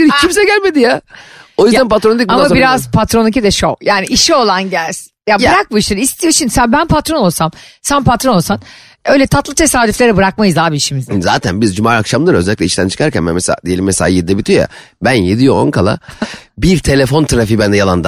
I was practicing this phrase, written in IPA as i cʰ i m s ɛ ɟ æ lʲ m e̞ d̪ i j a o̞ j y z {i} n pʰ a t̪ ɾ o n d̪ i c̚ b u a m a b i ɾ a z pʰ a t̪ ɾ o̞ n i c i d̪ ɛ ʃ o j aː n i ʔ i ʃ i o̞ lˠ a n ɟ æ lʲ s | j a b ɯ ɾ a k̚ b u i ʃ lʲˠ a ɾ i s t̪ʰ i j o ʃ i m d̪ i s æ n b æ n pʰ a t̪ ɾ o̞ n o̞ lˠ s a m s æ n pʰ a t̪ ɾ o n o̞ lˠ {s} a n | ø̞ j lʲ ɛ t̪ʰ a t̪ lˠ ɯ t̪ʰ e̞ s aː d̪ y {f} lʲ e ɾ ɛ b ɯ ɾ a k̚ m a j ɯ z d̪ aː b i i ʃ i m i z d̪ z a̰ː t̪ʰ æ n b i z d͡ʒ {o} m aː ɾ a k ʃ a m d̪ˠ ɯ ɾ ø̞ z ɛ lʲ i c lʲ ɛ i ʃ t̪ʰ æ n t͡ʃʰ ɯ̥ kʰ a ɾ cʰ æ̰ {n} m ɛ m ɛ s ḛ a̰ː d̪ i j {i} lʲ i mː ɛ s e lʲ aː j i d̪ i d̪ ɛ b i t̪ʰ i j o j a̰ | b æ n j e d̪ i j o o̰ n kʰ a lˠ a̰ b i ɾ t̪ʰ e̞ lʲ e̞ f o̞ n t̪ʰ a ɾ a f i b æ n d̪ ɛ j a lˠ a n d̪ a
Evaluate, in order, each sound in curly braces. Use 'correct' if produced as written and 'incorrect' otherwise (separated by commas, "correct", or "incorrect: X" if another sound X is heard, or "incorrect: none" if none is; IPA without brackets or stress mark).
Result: incorrect: æ, correct, correct, incorrect: u, correct, incorrect: e